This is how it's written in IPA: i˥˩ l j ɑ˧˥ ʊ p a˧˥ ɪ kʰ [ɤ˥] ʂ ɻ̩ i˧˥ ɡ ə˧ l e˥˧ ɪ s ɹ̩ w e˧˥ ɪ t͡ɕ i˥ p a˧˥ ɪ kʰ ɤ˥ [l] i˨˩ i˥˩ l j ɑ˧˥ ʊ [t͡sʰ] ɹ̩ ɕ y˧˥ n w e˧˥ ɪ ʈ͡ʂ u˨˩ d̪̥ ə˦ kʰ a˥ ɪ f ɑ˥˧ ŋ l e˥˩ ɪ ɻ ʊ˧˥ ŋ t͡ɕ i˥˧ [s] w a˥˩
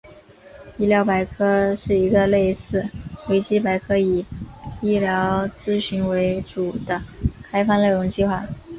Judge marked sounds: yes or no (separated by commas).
yes, no, no, no